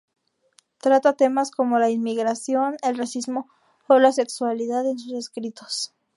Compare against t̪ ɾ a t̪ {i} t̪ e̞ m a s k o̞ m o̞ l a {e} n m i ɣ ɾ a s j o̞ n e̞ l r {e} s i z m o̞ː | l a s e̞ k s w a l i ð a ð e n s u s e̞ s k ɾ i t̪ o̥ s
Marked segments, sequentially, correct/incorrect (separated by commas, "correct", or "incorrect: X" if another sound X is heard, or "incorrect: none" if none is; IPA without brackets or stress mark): incorrect: a, incorrect: i, incorrect: a